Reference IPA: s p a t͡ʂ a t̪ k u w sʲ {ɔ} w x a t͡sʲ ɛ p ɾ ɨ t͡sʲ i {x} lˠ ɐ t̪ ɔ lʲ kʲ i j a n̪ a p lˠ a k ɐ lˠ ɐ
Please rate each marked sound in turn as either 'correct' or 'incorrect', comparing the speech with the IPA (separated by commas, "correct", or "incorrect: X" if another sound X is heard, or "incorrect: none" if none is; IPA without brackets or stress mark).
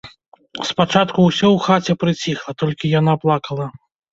correct, correct